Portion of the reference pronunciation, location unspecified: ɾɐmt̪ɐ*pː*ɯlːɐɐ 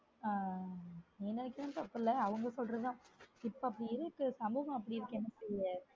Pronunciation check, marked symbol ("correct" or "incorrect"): correct